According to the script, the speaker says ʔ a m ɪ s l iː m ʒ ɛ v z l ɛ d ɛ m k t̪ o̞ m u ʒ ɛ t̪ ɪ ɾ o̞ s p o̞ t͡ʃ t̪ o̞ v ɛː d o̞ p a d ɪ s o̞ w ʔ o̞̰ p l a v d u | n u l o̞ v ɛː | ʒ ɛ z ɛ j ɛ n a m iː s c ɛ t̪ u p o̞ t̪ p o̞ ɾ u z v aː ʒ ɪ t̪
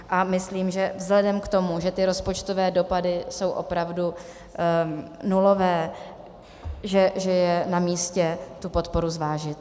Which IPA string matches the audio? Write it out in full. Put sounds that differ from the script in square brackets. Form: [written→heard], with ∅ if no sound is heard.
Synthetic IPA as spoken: ʔ a m ɪ s l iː m ʒ ɛ v z l ɛ d ɛ m k t̪ o̞ m u ʒ ɛ t̪ ɪ ɾ o̞ s p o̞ t͡ʃ t̪ o̞ v ɛː d o̞ p a d ɪ s o̞ w ʔ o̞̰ p [l→ɾ] a v d u | n u l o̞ v ɛː | ʒ ɛ [z→ʒ] ɛ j ɛ n a m iː s c ɛ t̪ u p o̞ t̪ p o̞ ɾ u z v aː ʒ ɪ t̪